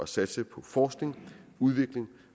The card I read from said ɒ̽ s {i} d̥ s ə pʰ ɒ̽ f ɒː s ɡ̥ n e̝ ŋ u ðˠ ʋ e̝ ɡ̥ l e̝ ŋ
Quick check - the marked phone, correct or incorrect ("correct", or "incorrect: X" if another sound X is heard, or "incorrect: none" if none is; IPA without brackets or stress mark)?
incorrect: æ